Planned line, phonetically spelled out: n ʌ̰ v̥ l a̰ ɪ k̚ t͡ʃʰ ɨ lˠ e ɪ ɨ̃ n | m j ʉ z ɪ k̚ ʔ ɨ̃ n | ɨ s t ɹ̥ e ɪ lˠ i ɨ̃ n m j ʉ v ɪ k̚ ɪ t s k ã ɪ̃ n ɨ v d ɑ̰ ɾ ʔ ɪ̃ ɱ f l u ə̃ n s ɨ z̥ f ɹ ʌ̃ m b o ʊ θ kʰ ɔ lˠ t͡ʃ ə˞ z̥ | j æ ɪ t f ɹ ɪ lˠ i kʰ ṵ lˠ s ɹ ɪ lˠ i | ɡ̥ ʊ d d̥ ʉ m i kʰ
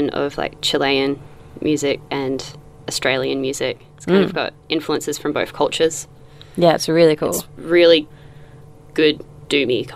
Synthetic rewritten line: n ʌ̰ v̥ l a̰ ɪ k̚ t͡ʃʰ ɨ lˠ e ɪ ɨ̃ n | m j ʉ z ɪ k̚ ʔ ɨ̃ n | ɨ s t ɹ̥ e ɪ lˠ i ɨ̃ n m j ʉ z ɪ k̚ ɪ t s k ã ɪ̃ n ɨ v ɡ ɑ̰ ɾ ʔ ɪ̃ ɱ f l u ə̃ n s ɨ z̥ f ɹ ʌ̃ m b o ʊ θ kʰ ʌ lˠ t͡ʃ ə˞ z̥ | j æ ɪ t s ɹ ɪ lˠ i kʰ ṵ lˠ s ɹ ɪ lˠ i | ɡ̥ ʊ d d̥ ʉ m i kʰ